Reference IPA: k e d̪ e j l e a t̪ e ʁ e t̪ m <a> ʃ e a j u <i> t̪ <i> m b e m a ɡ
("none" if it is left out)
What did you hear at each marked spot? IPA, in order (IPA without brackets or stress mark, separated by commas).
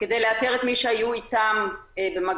i, i, a